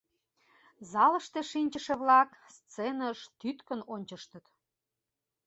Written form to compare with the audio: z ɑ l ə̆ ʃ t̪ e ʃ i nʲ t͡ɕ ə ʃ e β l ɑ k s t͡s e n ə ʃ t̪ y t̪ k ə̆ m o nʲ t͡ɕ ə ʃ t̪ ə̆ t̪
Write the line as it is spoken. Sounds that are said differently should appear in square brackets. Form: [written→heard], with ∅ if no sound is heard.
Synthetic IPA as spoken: z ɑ l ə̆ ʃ t̪ e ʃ i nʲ t͡ɕ ə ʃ e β l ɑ k s t͡s e n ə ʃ t̪ y t̪ k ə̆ [m→n] o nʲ t͡ɕ ə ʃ t̪ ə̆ t̪

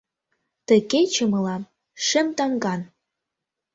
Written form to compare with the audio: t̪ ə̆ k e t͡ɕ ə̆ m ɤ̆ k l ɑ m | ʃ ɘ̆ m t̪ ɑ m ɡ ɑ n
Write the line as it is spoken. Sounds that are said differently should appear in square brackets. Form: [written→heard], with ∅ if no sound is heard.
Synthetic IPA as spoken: t̪ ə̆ k e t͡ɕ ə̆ m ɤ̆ [k→∅] l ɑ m | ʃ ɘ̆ m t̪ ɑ [m→ŋ] ɡ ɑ n

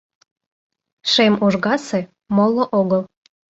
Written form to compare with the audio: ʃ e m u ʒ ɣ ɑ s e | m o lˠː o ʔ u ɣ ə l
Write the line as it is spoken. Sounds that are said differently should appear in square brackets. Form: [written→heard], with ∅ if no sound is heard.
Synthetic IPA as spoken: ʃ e m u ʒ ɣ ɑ s e | m o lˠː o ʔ [u→o] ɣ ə l

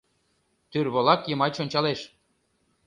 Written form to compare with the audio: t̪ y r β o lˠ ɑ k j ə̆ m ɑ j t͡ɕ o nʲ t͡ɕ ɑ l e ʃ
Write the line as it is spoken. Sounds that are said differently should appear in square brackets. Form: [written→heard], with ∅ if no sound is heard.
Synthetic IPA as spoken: t̪ y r β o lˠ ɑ k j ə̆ m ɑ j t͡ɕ o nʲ t͡ɕ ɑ l e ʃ

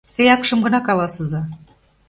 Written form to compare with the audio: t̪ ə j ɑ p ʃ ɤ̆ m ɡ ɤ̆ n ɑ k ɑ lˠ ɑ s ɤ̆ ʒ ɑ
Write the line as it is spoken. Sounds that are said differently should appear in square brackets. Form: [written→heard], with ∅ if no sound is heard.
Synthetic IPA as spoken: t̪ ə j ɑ [p→k] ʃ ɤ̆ m ɡ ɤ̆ n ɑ k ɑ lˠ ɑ s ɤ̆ [ʒ→z] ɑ

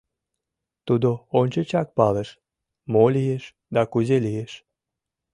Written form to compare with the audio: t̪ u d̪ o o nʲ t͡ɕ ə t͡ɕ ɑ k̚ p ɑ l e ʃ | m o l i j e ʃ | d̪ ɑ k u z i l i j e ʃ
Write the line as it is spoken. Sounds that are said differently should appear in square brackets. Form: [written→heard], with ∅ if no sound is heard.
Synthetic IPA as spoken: t̪ u d̪ o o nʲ t͡ɕ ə t͡ɕ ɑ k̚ p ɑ l e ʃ | m o l i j e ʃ | d̪ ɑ k u z [i→e] l i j e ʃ

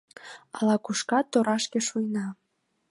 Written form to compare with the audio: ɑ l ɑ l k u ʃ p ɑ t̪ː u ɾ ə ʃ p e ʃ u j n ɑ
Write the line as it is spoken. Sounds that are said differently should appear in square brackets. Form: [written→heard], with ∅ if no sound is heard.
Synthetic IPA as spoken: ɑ l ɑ [l→∅] k u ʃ [p→k] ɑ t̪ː [u→o] ɾ [ə→ɑ] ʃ [p→k] e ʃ u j n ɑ

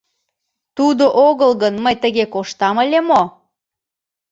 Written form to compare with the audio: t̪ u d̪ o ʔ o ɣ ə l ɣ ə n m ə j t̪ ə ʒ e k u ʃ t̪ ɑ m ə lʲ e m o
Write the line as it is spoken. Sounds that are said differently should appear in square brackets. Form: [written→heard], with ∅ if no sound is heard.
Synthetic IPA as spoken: t̪ u d̪ o ʔ o ɣ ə l ɣ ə n m ə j t̪ ə [ʒ→ɣ] e k [u→o] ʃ t̪ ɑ m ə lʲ e m o

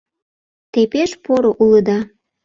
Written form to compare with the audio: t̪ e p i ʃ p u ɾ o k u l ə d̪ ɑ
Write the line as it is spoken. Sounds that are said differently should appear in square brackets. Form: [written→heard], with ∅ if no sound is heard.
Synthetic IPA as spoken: t̪ e p [i→e] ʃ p [u→o] ɾ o [k→ʔ] u l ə d̪ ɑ

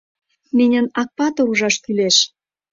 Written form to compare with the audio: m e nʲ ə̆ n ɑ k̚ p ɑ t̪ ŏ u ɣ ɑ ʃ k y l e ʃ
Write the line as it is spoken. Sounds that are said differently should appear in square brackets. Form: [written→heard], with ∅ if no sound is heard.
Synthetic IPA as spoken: m e nʲ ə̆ n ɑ k̚ p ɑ t̪ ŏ u [ɣ→ʒ] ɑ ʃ k y l e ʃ

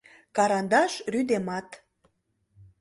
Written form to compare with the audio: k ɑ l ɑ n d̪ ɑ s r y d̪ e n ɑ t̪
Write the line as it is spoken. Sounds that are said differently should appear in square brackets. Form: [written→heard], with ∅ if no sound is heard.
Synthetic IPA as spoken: k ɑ [l→ɾ] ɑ n d̪ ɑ [s→ʃ] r y d̪ e [n→m] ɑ t̪

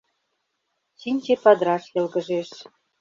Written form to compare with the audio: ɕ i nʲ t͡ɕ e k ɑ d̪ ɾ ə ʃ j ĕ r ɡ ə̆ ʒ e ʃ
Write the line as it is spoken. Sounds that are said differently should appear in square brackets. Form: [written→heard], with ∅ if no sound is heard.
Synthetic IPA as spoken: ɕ i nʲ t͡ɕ e [k→p] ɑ d̪ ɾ [ə→ɑ] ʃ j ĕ [r→l] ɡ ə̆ ʒ e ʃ

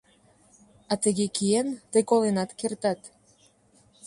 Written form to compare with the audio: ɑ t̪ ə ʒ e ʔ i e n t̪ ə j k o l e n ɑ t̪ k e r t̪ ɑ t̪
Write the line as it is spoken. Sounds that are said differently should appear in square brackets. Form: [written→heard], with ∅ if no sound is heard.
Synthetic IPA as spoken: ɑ t̪ ə [ʒ→ɣ] e [ʔ→k] i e n t̪ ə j k o l e n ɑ t̪ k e r t̪ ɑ t̪

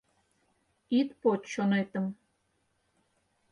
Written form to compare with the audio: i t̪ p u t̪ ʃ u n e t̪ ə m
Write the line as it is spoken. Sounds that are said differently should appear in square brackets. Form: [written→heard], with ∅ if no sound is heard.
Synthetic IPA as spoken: i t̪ p [u→o] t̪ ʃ [u→o] n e t̪ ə m

